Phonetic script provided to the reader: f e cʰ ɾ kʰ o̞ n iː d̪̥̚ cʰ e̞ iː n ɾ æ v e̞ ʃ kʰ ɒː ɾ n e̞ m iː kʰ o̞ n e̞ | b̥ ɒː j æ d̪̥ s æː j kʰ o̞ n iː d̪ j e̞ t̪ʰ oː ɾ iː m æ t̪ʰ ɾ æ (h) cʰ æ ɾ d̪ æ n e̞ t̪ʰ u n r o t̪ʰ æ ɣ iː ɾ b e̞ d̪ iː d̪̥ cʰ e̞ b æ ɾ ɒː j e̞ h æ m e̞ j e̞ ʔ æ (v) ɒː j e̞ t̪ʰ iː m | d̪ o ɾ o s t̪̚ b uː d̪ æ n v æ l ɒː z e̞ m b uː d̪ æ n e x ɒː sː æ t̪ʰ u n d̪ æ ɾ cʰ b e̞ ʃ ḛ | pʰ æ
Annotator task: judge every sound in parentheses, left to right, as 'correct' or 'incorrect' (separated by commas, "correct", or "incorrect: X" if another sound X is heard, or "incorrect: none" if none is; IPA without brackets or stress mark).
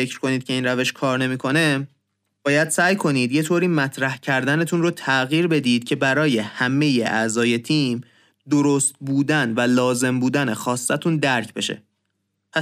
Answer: correct, incorrect: z